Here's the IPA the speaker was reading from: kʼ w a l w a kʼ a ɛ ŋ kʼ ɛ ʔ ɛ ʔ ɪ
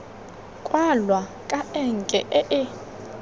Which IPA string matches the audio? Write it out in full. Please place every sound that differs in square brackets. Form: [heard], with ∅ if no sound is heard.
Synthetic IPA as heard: kʼ w a l w a kʼ a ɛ ŋ kʼ ɛ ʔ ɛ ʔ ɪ